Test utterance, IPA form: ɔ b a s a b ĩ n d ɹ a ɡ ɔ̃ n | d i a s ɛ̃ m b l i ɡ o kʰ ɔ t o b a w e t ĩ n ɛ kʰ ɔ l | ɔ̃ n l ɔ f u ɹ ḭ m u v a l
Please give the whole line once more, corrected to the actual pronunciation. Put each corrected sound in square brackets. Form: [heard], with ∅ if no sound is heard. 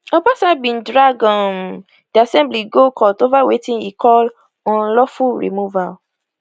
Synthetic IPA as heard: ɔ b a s a b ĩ n d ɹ a ɡ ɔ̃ n | d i a s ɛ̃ m b l i ɡ o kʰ ɔ t o [v] a w e t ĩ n [i] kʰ ɔ l | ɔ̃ n l ɔ f u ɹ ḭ m u v a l